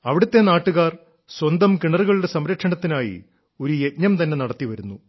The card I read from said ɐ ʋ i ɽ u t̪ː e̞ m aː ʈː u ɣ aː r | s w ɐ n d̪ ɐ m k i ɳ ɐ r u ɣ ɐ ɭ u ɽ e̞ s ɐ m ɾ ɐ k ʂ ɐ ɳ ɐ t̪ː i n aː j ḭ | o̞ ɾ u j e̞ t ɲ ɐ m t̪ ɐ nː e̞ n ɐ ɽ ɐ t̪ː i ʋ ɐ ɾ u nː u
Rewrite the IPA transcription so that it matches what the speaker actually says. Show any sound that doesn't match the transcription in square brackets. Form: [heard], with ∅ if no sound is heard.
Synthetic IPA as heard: ɐ ʋ i ɽ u t̪ː e̞ [n] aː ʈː u ɣ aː r | s w ɐ n d̪ ɐ m k i ɳ ɐ r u ɣ ɐ ɭ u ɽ e̞ s ɐ m ɾ ɐ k ʂ ɐ ɳ ɐ t̪ː i n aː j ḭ | o̞ ɾ u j e̞ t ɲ ɐ m t̪ ɐ nː e̞ n ɐ ɽ ɐ t̪ː i ʋ ɐ ɾ u nː u